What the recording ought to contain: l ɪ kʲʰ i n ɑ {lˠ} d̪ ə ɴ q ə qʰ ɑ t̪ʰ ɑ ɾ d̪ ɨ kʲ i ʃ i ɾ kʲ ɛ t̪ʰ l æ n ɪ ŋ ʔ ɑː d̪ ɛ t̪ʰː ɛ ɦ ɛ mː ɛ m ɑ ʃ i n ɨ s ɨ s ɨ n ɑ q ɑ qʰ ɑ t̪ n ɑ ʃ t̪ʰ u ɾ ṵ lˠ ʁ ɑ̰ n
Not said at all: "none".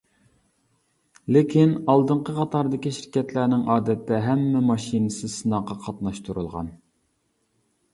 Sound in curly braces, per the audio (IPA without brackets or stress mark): lˠ